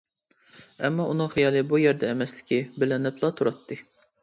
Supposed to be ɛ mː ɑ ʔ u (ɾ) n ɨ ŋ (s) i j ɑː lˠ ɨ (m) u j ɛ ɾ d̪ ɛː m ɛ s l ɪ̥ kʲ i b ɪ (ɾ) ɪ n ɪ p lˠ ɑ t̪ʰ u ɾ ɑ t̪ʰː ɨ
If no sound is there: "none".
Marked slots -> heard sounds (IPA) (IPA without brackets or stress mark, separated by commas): none, χ, b, l